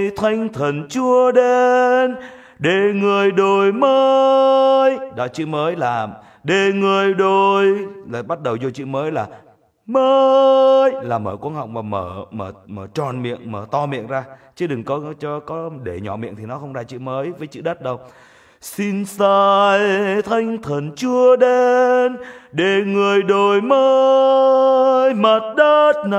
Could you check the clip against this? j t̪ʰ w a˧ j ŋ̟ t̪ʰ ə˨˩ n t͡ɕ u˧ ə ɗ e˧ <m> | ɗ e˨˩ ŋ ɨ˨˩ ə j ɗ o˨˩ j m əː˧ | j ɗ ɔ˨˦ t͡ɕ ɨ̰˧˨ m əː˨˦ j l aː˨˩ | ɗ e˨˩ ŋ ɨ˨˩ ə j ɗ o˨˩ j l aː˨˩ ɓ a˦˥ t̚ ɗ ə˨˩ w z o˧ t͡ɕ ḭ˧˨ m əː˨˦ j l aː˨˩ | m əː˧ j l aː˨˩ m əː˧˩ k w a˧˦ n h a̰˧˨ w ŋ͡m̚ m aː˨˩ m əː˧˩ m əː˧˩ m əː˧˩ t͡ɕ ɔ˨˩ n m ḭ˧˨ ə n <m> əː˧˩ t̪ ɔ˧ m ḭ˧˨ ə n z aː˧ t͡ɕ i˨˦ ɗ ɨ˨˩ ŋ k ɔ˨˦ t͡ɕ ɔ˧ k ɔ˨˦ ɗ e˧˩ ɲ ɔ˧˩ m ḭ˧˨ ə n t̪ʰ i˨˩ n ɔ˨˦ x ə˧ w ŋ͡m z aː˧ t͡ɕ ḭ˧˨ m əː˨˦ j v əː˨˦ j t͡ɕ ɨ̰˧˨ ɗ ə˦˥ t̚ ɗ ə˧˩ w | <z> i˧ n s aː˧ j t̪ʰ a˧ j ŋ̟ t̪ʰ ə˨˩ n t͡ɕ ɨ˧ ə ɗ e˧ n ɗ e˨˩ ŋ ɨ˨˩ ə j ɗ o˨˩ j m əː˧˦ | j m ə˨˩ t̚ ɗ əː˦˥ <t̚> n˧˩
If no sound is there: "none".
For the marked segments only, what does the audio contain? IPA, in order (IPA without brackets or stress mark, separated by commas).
n, m, s, t̚